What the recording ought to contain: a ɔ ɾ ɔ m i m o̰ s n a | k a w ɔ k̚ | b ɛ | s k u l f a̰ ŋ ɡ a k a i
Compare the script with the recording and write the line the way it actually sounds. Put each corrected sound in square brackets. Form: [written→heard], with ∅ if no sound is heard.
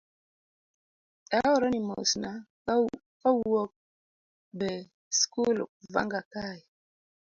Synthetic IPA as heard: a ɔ ɾ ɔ [m→n] i m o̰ s n a | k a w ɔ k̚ | b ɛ | s k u l [f→v] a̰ ŋ ɡ a k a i